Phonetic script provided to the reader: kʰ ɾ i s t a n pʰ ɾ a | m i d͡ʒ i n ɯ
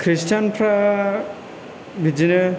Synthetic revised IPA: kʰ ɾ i s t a n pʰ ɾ a | b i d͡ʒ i n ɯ